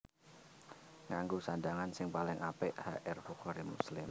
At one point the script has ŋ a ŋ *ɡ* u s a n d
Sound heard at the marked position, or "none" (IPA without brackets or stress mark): ɡ